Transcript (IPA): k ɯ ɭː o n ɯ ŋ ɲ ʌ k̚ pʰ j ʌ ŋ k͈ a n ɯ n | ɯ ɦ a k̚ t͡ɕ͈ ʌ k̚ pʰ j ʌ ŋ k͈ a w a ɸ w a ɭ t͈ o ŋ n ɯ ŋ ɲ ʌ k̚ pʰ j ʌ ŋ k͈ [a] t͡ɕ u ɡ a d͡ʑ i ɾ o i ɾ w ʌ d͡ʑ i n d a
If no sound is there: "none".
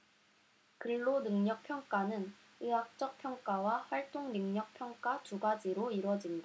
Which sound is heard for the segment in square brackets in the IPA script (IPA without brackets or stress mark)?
a